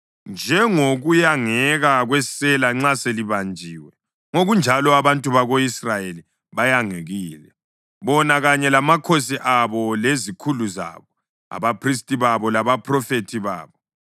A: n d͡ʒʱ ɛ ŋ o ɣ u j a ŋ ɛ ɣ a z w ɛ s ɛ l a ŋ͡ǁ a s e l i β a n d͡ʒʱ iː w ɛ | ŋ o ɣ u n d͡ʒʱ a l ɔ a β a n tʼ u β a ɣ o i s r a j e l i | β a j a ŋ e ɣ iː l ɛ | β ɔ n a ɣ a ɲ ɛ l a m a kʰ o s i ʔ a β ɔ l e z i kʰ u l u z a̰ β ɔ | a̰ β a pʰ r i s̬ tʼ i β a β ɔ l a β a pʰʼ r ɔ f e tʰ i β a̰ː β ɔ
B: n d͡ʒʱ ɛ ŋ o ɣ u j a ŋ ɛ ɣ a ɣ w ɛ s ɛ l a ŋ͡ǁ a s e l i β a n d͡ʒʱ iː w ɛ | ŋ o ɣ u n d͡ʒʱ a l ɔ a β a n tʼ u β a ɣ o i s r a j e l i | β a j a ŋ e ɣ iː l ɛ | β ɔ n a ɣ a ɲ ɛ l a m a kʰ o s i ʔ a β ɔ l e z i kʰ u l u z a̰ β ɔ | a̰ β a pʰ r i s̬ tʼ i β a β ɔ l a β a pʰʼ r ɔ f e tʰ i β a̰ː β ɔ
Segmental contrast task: B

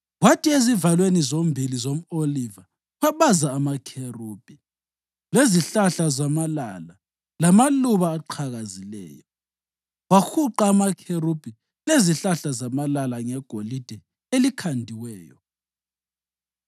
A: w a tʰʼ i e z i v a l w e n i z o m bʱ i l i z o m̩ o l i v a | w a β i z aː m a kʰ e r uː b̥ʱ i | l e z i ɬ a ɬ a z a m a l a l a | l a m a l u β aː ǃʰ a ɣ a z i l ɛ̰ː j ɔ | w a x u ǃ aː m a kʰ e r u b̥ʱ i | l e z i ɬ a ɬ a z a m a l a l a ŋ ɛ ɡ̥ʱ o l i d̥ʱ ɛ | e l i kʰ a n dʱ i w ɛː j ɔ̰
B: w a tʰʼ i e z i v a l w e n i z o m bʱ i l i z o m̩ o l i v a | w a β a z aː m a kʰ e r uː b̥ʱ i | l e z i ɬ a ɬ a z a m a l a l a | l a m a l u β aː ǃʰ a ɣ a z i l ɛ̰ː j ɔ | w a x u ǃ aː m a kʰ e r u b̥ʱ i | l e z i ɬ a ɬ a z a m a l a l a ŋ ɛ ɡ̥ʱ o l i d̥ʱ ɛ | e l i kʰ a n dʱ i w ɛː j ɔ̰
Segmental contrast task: B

